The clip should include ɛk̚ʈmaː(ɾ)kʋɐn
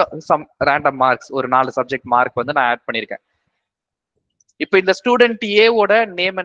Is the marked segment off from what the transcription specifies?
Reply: no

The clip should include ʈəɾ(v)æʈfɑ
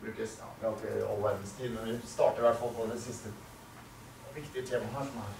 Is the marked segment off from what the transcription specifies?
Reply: yes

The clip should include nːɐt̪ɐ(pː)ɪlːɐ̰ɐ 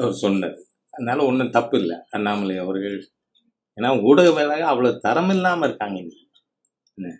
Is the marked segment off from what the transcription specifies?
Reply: no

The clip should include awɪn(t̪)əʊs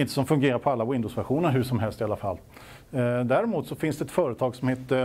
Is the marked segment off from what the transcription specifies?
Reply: yes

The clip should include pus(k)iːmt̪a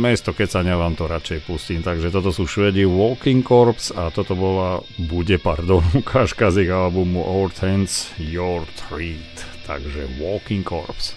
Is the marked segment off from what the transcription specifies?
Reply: yes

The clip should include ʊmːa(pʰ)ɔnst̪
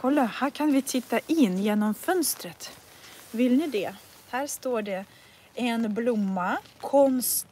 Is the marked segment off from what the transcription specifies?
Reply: yes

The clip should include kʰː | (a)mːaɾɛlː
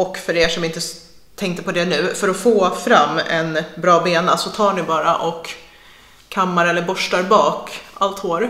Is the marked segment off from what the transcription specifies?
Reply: no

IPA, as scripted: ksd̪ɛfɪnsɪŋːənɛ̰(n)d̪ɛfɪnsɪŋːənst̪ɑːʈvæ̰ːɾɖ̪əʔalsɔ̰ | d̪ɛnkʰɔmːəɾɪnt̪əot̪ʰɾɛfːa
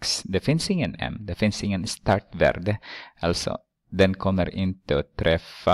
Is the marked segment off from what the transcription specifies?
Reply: yes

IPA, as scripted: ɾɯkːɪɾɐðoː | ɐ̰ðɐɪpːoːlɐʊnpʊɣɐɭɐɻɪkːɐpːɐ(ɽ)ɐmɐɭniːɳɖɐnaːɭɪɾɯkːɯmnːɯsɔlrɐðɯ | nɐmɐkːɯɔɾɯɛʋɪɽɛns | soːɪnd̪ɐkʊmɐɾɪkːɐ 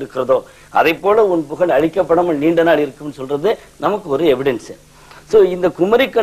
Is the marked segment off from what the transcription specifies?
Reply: no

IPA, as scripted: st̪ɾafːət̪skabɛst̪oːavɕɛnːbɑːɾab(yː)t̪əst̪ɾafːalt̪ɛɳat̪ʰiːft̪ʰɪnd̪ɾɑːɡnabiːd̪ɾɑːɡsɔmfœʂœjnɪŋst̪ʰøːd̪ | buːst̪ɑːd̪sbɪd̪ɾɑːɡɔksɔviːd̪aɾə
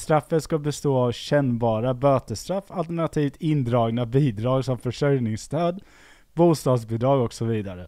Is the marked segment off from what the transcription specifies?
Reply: yes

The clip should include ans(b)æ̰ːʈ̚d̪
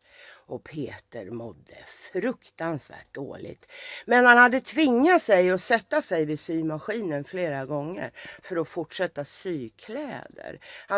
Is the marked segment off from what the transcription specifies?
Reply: yes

